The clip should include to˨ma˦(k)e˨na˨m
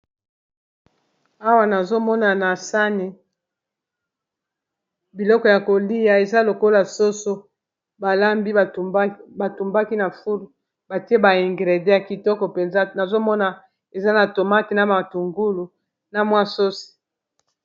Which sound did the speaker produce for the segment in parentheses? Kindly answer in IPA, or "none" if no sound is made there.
t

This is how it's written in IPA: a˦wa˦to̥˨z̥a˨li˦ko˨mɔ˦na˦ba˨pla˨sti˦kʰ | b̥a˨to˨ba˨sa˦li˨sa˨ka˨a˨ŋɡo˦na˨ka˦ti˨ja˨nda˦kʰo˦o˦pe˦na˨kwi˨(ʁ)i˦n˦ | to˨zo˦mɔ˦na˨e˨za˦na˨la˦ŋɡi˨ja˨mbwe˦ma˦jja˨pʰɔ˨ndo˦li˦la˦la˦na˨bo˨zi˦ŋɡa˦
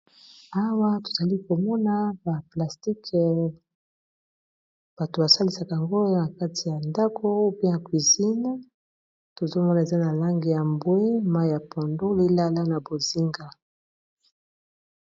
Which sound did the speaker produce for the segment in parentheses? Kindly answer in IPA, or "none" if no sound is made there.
z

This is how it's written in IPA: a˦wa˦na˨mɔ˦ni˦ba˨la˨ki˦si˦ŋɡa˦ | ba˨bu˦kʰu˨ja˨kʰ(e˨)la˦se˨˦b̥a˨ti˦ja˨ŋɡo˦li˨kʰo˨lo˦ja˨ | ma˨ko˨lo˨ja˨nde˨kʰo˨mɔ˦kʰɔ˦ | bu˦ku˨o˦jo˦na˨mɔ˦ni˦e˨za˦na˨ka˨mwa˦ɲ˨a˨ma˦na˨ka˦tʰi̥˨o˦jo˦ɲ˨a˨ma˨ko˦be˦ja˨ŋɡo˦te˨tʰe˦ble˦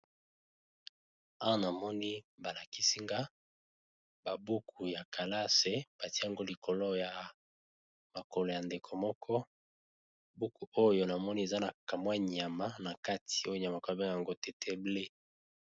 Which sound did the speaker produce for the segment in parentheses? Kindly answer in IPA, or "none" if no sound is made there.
a˨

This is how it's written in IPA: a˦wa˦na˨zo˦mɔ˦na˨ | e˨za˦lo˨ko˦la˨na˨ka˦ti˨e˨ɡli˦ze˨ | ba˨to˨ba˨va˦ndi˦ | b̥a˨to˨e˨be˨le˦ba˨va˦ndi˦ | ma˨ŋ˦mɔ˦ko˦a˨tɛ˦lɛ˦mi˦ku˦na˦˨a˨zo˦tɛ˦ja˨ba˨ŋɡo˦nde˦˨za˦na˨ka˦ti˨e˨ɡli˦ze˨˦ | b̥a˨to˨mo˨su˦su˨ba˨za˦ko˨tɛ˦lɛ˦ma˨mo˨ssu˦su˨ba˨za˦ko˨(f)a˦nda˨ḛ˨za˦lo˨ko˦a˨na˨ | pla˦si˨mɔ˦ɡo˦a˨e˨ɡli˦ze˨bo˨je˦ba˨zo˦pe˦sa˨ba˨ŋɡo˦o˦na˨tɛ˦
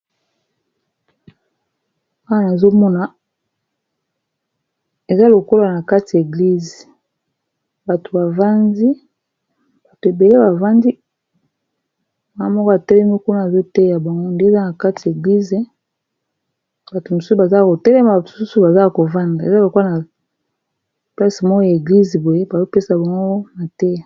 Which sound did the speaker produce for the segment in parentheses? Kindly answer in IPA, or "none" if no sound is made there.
v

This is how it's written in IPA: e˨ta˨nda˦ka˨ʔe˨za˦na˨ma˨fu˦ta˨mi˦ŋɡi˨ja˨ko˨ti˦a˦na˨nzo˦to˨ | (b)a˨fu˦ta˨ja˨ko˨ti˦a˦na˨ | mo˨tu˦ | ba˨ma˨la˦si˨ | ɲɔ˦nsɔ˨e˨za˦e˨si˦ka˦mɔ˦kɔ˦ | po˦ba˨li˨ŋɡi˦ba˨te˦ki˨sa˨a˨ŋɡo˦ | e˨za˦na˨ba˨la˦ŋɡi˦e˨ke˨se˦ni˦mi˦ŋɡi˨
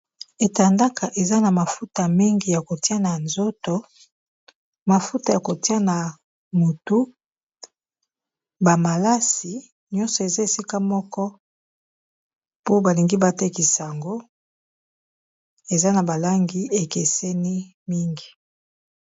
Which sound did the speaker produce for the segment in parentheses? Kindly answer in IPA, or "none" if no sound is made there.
m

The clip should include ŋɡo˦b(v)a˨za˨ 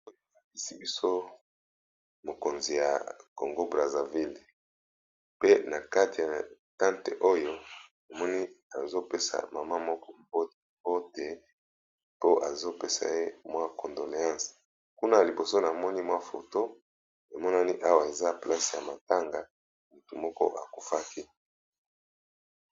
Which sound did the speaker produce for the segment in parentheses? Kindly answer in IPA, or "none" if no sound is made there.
ʁ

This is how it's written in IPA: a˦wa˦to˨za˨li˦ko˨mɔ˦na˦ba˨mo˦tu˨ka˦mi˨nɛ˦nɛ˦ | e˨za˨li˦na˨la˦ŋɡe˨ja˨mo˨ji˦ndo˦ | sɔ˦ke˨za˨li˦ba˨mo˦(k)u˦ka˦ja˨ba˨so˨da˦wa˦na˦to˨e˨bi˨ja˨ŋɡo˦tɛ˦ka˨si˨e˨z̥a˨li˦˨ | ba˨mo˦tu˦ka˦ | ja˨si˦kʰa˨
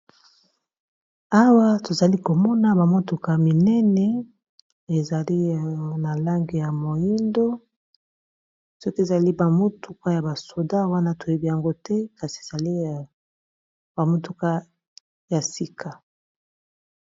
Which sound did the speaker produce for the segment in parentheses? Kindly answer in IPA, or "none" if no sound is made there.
t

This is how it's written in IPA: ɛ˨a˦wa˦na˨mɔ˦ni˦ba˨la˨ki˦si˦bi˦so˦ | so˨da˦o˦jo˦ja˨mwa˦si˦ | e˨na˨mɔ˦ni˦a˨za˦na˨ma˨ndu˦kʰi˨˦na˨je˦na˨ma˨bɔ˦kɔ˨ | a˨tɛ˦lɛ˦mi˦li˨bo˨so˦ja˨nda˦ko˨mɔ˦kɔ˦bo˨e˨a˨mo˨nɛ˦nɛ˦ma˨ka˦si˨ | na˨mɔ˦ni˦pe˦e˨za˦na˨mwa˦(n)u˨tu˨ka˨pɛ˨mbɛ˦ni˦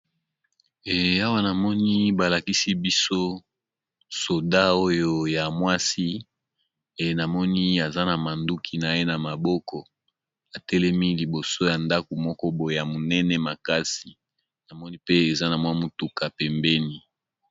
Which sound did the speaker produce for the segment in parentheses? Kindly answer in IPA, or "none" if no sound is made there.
m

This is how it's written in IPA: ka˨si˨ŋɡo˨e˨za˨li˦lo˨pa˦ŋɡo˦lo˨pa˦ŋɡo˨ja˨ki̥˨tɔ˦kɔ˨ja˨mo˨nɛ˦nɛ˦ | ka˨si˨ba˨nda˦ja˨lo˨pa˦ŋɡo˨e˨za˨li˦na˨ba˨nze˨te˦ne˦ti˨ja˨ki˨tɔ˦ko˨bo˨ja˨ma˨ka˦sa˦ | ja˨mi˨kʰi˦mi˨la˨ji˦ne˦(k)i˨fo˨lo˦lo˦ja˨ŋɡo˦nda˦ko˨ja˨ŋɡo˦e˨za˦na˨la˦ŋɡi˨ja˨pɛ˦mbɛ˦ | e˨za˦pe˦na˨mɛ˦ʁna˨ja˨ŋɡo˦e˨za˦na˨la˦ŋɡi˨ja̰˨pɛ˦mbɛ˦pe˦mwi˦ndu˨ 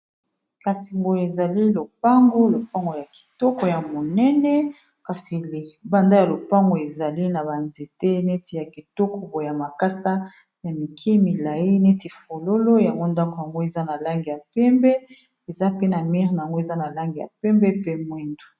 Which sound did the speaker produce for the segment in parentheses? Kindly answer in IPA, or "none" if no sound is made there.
t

